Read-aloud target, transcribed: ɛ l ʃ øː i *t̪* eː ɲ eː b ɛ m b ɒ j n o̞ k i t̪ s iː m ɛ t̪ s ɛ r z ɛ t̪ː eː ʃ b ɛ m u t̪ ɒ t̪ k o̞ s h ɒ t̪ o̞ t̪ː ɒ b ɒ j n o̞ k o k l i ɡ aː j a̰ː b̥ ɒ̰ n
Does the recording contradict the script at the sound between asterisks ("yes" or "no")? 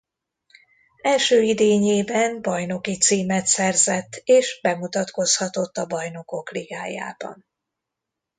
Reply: yes